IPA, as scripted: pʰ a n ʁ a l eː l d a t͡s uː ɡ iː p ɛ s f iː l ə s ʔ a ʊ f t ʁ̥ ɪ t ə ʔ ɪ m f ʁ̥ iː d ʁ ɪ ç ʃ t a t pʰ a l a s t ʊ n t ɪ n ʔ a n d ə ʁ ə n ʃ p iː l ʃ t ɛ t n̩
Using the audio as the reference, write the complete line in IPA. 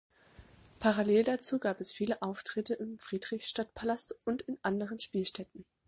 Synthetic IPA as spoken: pʰ a ʁ a l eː l d a t͡s uː ɡ aː p ɛ s f iː l ə ʔ a ʊ f t ʁ̥ ɪ t ə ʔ ɪ m f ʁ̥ iː d ʁ ɪ ç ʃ t a t pʰ a l a s t ʊ n t ɪ n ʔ a n d ə ʁ ə n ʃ p iː l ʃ t ɛ t n̩